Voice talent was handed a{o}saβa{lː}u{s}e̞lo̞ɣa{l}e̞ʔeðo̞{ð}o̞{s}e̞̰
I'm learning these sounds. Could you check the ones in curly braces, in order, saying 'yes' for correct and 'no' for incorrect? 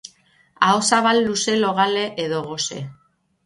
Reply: yes, yes, yes, yes, no, yes

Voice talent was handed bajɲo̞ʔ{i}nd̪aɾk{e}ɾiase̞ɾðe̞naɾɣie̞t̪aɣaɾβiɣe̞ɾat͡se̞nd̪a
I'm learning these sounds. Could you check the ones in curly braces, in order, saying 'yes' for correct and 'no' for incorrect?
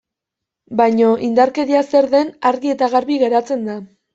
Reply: yes, yes

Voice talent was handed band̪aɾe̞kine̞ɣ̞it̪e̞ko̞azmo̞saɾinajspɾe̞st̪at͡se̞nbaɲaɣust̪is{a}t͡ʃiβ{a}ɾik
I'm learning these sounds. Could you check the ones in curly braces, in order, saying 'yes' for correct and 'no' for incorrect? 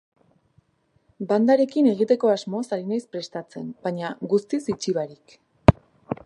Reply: no, yes

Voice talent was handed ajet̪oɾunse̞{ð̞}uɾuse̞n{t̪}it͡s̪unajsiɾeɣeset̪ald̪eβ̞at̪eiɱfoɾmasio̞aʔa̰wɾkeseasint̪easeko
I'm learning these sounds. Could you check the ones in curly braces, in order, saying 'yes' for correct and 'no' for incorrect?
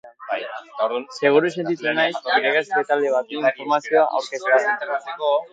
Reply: no, yes

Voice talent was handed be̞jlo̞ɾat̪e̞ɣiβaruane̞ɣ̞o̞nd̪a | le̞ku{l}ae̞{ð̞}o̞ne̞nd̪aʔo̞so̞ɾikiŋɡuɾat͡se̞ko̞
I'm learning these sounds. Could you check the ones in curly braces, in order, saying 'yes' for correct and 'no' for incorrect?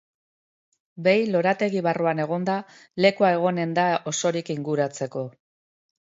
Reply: no, no

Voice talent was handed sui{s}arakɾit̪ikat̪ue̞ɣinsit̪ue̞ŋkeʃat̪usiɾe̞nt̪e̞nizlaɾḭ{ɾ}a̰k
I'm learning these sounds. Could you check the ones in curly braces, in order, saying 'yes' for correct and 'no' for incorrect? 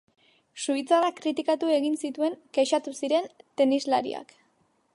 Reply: no, no

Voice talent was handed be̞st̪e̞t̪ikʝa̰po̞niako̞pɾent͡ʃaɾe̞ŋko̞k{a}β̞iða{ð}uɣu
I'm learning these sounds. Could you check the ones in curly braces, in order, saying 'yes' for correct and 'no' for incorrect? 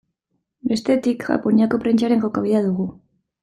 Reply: yes, yes

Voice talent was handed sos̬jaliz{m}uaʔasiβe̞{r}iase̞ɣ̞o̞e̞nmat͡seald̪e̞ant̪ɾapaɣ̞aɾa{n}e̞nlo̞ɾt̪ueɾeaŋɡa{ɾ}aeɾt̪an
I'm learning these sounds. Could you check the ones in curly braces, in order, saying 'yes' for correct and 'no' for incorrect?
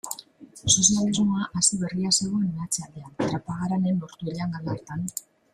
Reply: yes, yes, yes, no

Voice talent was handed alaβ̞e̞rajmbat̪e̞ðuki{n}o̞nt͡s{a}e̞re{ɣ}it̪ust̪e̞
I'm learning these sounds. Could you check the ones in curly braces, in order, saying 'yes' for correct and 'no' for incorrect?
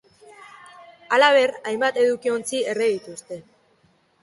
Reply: no, no, no

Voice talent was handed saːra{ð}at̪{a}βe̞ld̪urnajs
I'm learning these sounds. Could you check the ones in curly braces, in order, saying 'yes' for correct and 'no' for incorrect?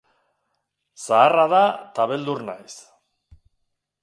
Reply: yes, yes

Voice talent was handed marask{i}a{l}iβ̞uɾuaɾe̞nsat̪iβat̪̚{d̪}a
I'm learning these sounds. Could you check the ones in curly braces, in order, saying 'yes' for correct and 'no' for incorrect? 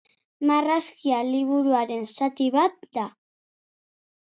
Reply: yes, yes, yes

